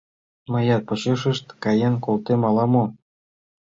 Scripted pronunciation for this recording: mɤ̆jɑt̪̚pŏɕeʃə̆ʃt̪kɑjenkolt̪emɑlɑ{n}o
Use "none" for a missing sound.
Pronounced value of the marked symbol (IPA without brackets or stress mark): m